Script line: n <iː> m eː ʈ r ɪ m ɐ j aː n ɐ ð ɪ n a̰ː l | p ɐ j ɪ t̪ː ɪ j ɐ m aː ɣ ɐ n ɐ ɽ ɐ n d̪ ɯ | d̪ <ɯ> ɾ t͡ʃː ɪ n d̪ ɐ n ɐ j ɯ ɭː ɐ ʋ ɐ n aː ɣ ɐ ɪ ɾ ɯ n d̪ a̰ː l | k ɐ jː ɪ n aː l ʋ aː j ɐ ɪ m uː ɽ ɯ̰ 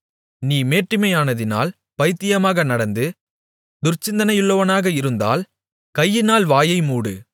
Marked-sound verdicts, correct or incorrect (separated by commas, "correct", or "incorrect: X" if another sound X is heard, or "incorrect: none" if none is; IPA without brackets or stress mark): correct, incorrect: ʊ